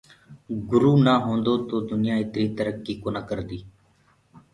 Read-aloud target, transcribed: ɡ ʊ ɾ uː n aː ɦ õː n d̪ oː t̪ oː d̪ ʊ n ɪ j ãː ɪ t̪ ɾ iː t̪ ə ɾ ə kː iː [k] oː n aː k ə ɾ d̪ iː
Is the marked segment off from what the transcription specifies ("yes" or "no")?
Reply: no